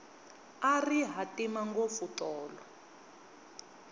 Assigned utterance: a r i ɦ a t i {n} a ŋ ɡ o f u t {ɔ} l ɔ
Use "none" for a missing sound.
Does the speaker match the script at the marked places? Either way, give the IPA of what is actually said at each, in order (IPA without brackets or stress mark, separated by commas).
m, ɔː